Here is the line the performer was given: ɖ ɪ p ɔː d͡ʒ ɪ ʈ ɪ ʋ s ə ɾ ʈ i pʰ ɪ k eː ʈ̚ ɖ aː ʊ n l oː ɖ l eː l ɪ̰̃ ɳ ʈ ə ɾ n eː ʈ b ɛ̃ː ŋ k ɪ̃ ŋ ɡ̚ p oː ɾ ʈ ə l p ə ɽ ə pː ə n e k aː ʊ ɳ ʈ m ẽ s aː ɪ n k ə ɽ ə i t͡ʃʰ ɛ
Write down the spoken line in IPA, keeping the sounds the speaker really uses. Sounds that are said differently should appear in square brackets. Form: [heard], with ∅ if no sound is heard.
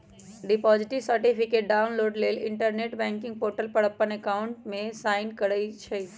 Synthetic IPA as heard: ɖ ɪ p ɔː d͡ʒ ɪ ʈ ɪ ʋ s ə ɾ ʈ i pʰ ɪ k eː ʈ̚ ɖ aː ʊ n l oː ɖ l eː l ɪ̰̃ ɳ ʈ ə ɾ n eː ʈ b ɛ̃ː ŋ k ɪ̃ ŋ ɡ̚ p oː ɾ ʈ ə l p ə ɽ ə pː ə n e k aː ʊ ɳ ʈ m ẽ s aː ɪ n k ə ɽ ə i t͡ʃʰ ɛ